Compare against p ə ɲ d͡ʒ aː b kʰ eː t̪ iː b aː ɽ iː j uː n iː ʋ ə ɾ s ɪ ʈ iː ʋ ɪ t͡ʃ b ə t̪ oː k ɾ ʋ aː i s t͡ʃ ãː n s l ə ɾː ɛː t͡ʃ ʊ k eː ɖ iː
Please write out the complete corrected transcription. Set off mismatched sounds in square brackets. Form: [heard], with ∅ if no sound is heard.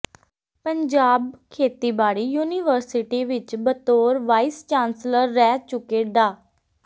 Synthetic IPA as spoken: p ə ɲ d͡ʒ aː b kʰ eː t̪ iː b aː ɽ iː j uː n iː ʋ ə ɾ s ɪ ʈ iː ʋ ɪ t͡ʃ b ə t̪ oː [∅] ɾ ʋ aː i s t͡ʃ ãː n s l ə ɾː ɛː t͡ʃ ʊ k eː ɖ [aː]